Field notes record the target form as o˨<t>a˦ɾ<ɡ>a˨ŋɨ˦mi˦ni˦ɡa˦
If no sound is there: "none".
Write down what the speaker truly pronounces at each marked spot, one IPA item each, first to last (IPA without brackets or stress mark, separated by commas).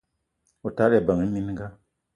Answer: t, b